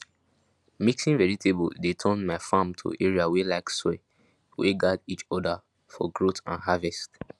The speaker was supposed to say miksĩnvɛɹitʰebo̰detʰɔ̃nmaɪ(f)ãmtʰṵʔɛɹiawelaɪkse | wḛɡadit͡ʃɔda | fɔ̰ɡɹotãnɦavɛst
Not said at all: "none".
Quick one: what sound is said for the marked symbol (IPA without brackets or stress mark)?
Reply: f